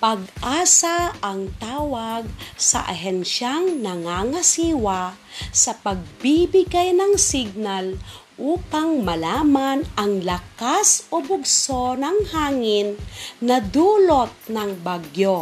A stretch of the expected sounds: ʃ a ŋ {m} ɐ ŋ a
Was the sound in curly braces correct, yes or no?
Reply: no